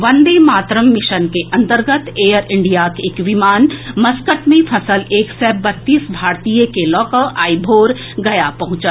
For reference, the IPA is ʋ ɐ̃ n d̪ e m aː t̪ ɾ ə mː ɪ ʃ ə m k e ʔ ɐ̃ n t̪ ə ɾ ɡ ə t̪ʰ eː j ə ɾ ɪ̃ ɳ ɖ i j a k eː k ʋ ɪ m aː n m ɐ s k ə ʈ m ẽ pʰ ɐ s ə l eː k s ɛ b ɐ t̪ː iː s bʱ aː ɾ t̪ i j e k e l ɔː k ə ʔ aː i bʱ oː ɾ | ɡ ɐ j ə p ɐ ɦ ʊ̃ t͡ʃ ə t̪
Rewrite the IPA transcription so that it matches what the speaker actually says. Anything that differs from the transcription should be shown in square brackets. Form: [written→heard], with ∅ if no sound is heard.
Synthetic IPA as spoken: ʋ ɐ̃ n d̪ e m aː t̪ ɾ ə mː ɪ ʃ ə [m→n] k e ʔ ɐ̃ n t̪ ə ɾ ɡ ə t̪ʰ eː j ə ɾ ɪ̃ ɳ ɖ i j a k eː k ʋ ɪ m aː n m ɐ s k ə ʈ m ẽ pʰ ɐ s ə l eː k s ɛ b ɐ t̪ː iː s bʱ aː ɾ t̪ i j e k e l ɔː k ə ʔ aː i bʱ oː ɾ | ɡ ɐ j [ə→a] p ɐ ɦ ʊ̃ t͡ʃ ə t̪